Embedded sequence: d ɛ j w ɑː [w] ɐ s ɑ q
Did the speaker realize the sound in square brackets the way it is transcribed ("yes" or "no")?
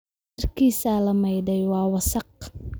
yes